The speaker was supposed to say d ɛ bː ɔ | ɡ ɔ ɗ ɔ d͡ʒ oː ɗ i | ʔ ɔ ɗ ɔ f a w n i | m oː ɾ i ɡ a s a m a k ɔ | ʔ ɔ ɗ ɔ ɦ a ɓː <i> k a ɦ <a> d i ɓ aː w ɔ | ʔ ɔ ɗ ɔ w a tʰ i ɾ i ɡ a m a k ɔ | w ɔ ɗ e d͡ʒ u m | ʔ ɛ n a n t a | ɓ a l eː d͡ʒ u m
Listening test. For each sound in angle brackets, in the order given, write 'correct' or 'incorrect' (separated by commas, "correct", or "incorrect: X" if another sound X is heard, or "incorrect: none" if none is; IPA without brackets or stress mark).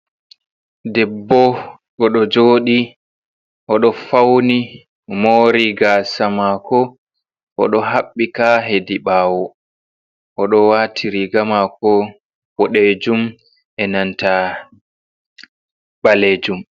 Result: correct, incorrect: e